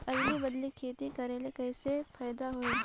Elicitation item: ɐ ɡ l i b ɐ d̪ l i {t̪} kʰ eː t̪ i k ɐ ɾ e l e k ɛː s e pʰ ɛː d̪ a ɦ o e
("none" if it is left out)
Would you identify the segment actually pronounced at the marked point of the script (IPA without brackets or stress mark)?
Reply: none